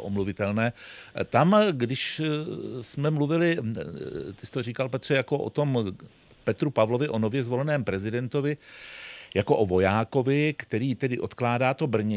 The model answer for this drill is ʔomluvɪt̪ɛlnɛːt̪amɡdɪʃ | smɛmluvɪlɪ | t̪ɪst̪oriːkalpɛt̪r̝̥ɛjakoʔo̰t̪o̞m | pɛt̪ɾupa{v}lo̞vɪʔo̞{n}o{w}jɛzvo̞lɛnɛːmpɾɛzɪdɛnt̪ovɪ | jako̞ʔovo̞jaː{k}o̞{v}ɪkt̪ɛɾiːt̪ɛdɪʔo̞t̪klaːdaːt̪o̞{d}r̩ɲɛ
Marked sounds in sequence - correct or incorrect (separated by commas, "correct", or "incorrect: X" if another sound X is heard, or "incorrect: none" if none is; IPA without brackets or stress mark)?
correct, correct, incorrect: v, correct, correct, incorrect: b